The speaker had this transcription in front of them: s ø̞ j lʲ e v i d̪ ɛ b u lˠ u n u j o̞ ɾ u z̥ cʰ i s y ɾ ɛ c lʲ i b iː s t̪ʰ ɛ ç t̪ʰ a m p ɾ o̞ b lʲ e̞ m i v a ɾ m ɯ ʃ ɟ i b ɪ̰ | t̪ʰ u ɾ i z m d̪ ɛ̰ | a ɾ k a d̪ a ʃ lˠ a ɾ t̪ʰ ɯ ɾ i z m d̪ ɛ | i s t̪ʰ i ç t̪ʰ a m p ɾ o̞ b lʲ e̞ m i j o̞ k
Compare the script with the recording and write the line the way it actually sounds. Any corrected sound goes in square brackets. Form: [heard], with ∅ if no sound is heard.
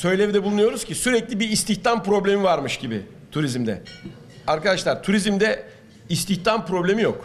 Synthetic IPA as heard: s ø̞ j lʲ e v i d̪ ɛ b u lˠ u n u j o̞ ɾ u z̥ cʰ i s y ɾ ɛ c lʲ i b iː s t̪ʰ [i] ç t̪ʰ a m p ɾ o̞ b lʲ e̞ m i v a ɾ m ɯ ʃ ɟ i b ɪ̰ | t̪ʰ u ɾ i z m d̪ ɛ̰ | a ɾ k a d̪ a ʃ lˠ a ɾ t̪ʰ [u] ɾ i z m d̪ ɛ | i s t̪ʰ i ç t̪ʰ a m p ɾ o̞ b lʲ e̞ m i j o̞ k

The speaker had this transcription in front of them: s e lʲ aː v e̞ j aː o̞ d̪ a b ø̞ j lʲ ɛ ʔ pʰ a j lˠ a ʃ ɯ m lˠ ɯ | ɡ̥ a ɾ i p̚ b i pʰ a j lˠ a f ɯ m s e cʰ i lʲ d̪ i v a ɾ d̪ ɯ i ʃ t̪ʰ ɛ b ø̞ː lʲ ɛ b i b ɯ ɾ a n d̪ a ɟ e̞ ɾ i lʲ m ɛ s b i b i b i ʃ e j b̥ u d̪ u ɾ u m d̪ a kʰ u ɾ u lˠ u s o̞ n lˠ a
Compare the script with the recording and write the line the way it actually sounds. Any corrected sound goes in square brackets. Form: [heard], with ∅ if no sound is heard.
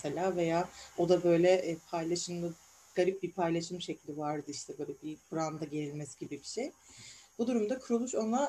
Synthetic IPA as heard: s e lʲ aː v e̞ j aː o̞ d̪ a b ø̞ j lʲ ɛ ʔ pʰ a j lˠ a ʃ ɯ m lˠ ɯ | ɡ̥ a ɾ i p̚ b i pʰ a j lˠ a [ʃ] ɯ m [ʃ] e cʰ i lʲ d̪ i v a ɾ d̪ ɯ i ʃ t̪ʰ ɛ b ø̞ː lʲ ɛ b i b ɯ ɾ a n d̪ a ɟ e̞ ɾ i lʲ m ɛ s [ɟ] i b i b i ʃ e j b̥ u d̪ u ɾ u m d̪ a kʰ u ɾ u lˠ u [ʃ] o̞ n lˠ a

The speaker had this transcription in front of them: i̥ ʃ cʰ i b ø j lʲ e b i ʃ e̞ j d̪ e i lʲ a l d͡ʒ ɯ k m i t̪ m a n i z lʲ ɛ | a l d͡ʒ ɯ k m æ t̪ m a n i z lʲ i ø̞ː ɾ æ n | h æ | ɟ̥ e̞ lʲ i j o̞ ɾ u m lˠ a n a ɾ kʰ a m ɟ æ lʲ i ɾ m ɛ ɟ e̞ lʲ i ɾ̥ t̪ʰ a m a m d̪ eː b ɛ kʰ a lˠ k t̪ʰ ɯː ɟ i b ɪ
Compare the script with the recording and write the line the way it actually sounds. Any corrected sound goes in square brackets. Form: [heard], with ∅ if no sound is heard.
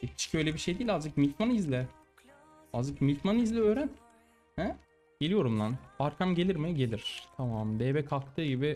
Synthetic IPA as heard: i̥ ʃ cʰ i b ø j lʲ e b i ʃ e̞ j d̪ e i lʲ a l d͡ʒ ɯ k m i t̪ m a n i z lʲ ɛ | a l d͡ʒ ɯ k m [i] t̪ m a n i z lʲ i ø̞ː ɾ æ n | h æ | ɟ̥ e̞ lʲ i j o̞ ɾ u m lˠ a n a ɾ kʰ a m ɟ [e] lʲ i ɾ m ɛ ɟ e̞ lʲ i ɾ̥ t̪ʰ a m a m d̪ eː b ɛ kʰ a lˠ k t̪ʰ ɯː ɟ i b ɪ

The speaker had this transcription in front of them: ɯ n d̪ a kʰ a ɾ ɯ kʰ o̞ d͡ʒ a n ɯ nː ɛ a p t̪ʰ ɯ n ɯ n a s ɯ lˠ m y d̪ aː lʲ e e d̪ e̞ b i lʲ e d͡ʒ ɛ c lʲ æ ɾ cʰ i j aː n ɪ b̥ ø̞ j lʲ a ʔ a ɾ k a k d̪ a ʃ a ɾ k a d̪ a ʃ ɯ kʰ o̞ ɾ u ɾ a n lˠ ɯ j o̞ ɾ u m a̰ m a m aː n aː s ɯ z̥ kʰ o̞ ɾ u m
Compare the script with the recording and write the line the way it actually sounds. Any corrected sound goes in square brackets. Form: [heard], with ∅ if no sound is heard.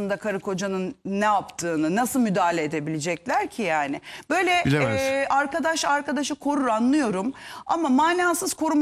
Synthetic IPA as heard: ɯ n d̪ a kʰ a ɾ ɯ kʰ o̞ d͡ʒ a n ɯ nː ɛ a p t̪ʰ [ɯː] n ɯ n a s ɯ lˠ m y d̪ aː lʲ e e d̪ e̞ b i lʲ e d͡ʒ ɛ c lʲ æ ɾ cʰ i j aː n ɪ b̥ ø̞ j lʲ [ɛ] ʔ a ɾ k a [∅] d̪ a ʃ a ɾ k a d̪ a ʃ ɯ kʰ o̞ ɾ u ɾ a n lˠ ɯ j o̞ ɾ u m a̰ m a m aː n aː s ɯ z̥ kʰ o̞ ɾ u m

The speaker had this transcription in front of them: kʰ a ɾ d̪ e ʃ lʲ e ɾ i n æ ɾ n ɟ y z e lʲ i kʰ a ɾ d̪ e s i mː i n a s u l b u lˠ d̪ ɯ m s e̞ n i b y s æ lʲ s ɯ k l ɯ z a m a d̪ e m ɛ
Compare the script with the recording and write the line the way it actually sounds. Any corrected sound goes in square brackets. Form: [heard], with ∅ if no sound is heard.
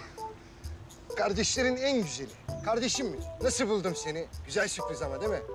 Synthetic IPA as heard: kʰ a ɾ d̪ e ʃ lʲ e ɾ i n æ [∅] n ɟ y z e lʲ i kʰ a ɾ d̪ e [ʃ] i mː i n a s [ɯ] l b u lˠ d̪ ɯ m s e̞ n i [ɟ] y [z] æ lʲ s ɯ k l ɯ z a m a d̪ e m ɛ

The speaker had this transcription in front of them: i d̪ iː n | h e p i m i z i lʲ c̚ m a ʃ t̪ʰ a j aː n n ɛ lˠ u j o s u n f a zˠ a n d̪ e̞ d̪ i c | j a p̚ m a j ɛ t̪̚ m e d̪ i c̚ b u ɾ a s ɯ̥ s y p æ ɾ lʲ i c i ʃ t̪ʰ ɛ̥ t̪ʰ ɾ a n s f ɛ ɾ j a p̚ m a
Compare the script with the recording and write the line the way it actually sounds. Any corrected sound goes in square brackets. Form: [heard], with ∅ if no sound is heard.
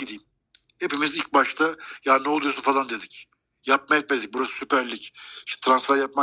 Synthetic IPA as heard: i d̪ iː [m] | h e p i m i z i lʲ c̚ [b] a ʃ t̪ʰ a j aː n n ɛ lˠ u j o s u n f a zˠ a n d̪ e̞ d̪ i c | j a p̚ m a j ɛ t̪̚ m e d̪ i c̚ b u ɾ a s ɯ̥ s y p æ ɾ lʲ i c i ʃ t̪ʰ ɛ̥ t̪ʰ ɾ a n s f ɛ ɾ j a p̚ m a

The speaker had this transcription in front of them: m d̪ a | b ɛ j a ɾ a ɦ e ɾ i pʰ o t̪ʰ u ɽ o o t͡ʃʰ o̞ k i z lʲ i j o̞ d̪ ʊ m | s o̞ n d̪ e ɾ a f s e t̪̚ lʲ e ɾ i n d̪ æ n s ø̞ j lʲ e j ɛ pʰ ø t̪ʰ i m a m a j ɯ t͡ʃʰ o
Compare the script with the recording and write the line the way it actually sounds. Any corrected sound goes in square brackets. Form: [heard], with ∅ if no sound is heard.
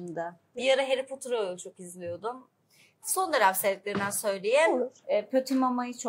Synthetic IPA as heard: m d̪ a | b [i] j a ɾ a ɦ e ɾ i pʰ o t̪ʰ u [ɾ] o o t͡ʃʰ o̞ k i z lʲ i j o̞ d̪ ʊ m | s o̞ n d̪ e ɾ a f s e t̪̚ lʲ e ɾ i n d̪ æ n s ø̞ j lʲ e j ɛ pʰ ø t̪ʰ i m a m a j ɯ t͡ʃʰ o

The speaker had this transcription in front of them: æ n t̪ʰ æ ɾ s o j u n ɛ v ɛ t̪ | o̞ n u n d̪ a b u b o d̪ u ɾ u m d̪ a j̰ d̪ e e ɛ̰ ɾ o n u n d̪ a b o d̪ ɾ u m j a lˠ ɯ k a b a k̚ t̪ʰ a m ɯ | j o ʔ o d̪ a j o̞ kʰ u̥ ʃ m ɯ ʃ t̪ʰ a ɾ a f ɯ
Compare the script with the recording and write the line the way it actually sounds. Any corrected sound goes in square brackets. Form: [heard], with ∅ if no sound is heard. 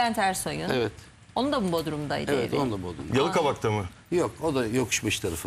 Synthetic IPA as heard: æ n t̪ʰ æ ɾ s o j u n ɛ v ɛ t̪ | o̞ n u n d̪ a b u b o d̪ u ɾ u m d̪ a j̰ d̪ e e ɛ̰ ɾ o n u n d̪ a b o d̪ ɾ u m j a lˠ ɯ k a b a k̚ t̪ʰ a m ɯ | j o [k] o d̪ a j o̞ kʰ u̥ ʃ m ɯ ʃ t̪ʰ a ɾ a f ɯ

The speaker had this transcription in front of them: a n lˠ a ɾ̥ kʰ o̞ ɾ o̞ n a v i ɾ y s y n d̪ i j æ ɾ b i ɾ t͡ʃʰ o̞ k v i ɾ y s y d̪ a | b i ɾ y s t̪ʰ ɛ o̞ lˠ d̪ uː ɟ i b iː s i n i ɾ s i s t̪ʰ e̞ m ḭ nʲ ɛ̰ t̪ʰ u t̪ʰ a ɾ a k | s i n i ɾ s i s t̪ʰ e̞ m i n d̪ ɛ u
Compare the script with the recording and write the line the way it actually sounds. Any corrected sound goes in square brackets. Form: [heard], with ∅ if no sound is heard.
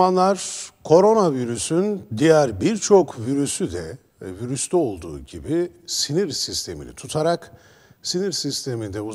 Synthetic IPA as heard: a n lˠ a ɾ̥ kʰ o̞ ɾ o̞ n a v i ɾ y s y n d̪ i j æ ɾ b i ɾ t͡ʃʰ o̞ k v i ɾ y s y d̪ [ɛ] | [v] i ɾ y s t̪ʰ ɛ o̞ lˠ d̪ uː ɟ i b [i] s i n i ɾ s i s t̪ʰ e̞ m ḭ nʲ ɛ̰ t̪ʰ u t̪ʰ a ɾ a k | s i n i ɾ s i s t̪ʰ e̞ m i n d̪ ɛ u

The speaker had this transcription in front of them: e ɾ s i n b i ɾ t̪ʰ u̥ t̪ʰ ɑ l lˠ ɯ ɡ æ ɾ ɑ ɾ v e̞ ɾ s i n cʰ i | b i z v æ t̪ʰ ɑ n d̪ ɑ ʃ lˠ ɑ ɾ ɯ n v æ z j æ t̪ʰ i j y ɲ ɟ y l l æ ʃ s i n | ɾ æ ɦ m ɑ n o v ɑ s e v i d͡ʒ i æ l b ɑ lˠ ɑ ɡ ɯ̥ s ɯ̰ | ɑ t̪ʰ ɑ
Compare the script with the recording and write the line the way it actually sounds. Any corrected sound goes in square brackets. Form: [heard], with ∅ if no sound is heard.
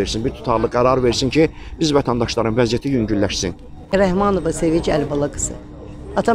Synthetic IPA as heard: e ɾ s i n b i ɾ t̪ʰ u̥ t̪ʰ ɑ [ɾ] lˠ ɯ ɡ æ ɾ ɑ ɾ v e̞ ɾ s i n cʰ i | b i z v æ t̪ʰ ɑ n d̪ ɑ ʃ lˠ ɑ ɾ ɯ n v æ z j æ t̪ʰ i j y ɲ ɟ y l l æ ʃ s i n | ɾ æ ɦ m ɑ n o v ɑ s e v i d͡ʒ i æ l b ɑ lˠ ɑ ɡ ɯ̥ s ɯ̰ | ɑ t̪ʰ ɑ

